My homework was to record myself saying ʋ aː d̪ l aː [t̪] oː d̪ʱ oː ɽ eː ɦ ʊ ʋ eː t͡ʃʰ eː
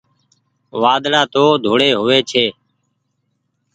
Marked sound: correct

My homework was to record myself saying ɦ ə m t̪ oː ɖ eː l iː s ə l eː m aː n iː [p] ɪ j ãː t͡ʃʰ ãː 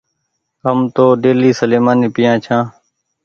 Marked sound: correct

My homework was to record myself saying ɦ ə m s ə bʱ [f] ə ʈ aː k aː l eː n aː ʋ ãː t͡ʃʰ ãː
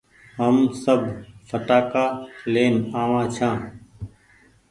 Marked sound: correct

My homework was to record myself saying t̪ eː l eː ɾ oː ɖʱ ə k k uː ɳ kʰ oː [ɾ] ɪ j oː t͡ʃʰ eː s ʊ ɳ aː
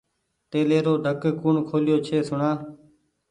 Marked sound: incorrect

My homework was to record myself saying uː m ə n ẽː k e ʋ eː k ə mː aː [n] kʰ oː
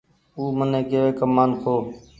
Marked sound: correct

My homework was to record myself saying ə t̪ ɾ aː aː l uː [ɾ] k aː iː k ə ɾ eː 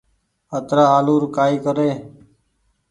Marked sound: correct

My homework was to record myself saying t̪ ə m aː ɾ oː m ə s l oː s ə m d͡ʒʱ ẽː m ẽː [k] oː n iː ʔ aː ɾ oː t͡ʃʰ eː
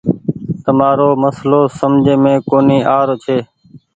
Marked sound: correct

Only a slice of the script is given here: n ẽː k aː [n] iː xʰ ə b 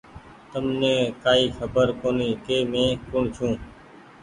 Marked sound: incorrect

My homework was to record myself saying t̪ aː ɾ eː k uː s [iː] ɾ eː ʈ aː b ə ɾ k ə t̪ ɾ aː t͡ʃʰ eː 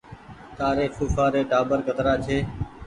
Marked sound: incorrect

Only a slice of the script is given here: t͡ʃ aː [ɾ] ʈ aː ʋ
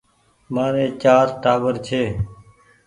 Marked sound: correct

